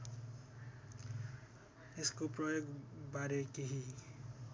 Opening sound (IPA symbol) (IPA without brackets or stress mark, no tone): e